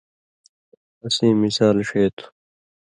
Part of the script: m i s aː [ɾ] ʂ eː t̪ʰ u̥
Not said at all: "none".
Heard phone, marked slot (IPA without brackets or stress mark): l